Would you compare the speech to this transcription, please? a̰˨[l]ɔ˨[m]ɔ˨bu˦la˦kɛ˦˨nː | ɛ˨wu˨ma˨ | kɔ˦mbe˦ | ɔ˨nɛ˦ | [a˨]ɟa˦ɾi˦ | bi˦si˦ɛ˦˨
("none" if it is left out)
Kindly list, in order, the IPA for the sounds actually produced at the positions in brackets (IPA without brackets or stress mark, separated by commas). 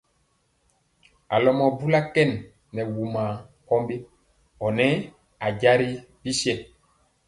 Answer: l, m, a˨